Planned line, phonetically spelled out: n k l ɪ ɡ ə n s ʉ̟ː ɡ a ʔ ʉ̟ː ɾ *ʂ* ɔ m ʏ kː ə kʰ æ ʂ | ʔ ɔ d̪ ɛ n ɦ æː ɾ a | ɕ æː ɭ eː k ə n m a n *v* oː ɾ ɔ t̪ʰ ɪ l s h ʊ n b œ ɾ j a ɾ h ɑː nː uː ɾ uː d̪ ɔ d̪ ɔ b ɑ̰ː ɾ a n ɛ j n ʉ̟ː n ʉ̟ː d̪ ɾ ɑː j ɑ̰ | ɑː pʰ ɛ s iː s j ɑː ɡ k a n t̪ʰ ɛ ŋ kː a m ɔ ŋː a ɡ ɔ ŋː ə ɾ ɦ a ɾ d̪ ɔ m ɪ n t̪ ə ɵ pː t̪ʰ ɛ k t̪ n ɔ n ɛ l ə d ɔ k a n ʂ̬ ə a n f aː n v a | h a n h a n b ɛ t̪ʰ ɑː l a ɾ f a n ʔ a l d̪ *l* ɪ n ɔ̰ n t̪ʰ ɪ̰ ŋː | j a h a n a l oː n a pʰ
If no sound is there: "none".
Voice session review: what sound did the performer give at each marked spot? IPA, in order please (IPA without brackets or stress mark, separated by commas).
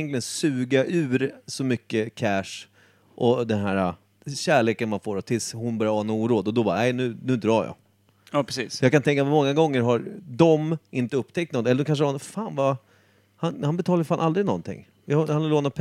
s, f, ɾ